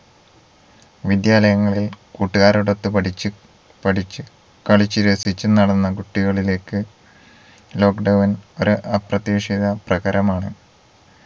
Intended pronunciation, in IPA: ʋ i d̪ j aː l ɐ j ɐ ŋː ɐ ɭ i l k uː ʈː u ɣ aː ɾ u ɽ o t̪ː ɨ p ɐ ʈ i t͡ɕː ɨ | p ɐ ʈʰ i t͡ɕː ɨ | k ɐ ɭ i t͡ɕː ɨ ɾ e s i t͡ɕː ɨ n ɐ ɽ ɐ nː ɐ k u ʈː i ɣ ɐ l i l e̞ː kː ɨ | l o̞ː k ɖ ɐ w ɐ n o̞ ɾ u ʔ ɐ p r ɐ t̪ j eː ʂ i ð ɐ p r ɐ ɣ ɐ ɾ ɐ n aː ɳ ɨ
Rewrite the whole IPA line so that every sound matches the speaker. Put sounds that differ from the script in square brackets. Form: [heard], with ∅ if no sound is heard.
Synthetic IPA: ʋ i d̪ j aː l ɐ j ɐ ŋː ɐ ɭ i l k uː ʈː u ɣ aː ɾ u ɽ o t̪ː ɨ p ɐ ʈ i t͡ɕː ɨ | p ɐ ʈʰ i t͡ɕː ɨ | k ɐ ɭ i t͡ɕː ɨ ɾ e s i t͡ɕː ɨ n ɐ ɽ ɐ nː ɐ k u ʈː i ɣ ɐ [ɭ] i l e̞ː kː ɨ | l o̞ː k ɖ ɐ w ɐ n o̞ ɾ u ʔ ɐ p r ɐ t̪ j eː ʂ i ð ɐ p r ɐ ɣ ɐ ɾ ɐ [m] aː ɳ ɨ